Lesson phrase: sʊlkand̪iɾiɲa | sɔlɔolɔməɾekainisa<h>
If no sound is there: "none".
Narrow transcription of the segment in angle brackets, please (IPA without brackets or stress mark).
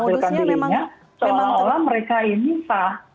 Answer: h